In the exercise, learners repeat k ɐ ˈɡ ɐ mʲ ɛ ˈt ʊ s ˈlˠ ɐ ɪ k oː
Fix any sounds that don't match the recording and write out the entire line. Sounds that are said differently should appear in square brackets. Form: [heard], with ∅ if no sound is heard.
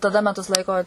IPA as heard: [t] ɐ [ˈd] ɐ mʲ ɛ ˈt ʊ s ˈlˠ ɐ ɪ k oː

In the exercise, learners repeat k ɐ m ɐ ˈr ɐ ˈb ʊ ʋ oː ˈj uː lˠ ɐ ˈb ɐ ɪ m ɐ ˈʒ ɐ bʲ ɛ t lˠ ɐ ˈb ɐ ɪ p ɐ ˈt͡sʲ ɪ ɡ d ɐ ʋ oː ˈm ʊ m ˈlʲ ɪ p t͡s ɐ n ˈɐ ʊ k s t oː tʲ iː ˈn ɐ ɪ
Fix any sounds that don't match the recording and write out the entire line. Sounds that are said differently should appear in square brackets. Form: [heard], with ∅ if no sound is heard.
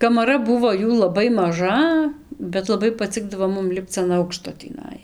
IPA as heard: k ɐ m ɐ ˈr ɐ ˈb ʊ ʋ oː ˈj uː lˠ ɐ ˈb ɐ ɪ m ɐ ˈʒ ɐ bʲ ɛ t lˠ ɐ ˈb ɐ ɪ p ɐ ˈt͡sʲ ɪ ɡ d ɐ ʋ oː ˈm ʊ m ˈlʲ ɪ p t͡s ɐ n ˈɐ ʊ k [ʃ] t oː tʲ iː ˈn ɐ ɪ

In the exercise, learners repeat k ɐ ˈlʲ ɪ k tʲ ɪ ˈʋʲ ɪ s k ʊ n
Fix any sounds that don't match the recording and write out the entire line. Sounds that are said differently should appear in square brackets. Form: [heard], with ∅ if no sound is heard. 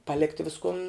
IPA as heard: [p] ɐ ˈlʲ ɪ k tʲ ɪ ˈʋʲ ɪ s k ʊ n

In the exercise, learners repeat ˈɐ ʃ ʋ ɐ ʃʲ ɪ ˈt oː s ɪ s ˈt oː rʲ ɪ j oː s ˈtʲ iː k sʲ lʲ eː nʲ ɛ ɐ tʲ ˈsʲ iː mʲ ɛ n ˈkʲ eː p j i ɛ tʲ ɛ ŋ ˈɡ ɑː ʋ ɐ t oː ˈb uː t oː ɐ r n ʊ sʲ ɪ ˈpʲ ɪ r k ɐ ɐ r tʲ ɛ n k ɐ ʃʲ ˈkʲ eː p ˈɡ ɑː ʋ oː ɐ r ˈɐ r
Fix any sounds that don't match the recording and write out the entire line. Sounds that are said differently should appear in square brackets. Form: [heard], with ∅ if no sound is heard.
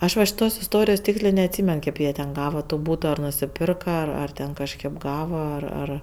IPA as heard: ˈɐ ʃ ʋ ɐ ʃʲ ɪ ˈt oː s ɪ s ˈt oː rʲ ɪ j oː s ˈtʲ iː k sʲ lʲ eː nʲ ɛ ɐ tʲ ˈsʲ iː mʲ ɛ n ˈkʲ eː p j i ɛ tʲ ɛ [n] ˈɡ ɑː ʋ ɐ t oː ˈb uː t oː ɐ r n ʊ sʲ ɪ ˈpʲ ɪ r k ɐ ɐ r tʲ ɛ n k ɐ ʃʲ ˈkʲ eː p ˈɡ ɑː ʋ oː ɐ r ˈɐ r

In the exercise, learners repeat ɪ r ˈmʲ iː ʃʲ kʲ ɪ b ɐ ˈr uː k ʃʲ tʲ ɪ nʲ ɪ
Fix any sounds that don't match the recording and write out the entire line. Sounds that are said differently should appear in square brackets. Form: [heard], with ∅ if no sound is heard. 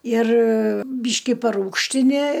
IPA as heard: ɪ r [ˈbʲ] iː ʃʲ kʲ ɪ [p] ɐ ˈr uː k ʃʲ tʲ ɪ nʲ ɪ

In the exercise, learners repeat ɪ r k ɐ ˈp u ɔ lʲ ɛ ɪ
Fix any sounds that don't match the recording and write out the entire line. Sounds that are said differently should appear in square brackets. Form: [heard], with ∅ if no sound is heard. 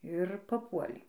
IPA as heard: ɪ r [p] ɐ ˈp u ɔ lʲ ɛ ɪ

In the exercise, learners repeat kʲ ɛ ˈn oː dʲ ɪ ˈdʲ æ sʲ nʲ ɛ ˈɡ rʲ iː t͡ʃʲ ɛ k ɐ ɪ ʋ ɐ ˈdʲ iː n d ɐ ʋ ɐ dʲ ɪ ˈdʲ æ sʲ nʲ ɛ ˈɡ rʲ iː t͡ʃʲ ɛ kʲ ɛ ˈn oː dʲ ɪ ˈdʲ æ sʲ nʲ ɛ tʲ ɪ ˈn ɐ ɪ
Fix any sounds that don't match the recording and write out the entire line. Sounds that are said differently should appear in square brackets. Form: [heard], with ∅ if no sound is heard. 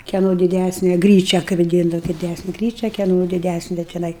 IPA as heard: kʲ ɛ ˈn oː dʲ ɪ ˈdʲ æ sʲ nʲ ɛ ˈɡ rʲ iː t͡ʃʲ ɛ k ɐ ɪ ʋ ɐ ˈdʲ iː n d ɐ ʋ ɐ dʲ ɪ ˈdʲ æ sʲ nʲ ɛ ˈɡ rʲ iː t͡ʃʲ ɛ kʲ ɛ ˈn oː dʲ ɪ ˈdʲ æ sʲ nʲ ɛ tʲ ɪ ˈn ɐ ɪ

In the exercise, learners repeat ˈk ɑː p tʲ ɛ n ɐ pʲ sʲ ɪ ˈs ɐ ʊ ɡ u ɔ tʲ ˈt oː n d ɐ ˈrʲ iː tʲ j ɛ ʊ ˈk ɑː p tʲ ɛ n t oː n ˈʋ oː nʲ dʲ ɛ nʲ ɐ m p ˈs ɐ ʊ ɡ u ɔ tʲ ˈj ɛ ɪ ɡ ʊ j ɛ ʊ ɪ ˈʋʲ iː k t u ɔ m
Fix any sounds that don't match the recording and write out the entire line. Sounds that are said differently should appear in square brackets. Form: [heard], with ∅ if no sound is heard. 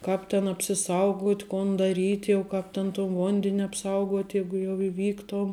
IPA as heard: ˈk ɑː p tʲ ɛ n ɐ pʲ sʲ ɪ ˈs ɐ ʊ ɡ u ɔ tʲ [ˈk] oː n d ɐ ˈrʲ iː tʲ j ɛ ʊ ˈk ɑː p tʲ ɛ n t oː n ˈʋ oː nʲ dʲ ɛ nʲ ɐ [∅] p ˈs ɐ ʊ ɡ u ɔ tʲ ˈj ɛ ɪ ɡ ʊ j ɛ ʊ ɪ ˈʋʲ iː k t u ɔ m

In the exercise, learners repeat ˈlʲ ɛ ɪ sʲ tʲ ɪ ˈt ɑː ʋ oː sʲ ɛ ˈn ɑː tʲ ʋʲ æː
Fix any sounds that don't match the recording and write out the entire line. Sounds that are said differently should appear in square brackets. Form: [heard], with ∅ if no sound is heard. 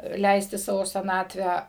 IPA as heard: ˈlʲ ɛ ɪ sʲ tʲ ɪ [ˈs] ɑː ʋ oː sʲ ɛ ˈn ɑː tʲ ʋʲ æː

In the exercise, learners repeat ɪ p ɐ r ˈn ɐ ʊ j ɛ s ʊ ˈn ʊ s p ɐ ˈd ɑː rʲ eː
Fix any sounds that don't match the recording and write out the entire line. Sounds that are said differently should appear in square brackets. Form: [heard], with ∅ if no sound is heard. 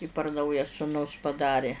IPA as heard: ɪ p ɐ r ˈn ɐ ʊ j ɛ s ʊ ˈn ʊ s p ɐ ˈd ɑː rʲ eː

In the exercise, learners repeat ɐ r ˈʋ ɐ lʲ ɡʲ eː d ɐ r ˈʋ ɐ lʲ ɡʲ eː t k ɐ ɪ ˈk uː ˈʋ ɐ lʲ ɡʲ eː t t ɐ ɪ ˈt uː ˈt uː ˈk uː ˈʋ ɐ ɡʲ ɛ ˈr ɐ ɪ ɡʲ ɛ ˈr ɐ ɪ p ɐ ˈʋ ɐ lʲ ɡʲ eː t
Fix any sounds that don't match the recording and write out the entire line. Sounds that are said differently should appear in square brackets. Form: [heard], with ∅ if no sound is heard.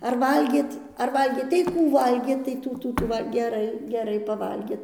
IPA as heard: ɐ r ˈʋ ɐ lʲ ɡʲ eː [t] ɐ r ˈʋ ɐ lʲ ɡʲ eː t [t] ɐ ɪ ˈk uː ˈʋ ɐ lʲ ɡʲ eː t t ɐ ɪ ˈt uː ˈt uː [ˈt] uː ˈʋ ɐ ɡʲ ɛ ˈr ɐ ɪ ɡʲ ɛ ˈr ɐ ɪ p ɐ ˈʋ ɐ lʲ ɡʲ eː t

